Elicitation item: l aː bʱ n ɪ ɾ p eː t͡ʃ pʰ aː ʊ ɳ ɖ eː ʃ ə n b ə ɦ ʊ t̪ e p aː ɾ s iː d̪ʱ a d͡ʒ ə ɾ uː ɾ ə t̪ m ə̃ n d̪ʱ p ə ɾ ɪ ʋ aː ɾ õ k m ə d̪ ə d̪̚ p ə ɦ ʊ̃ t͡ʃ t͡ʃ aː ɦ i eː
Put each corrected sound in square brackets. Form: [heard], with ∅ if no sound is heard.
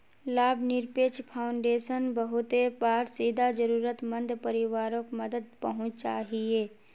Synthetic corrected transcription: l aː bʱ n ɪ ɾ p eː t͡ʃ pʰ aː ʊ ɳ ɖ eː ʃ ə n b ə ɦ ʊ t̪ e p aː ɾ s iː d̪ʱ a d͡ʒ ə ɾ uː ɾ ə t̪ m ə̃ n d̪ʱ p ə ɾ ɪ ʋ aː ɾ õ k m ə d̪ ə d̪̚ p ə ɦ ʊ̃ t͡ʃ t͡ʃ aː ɦ i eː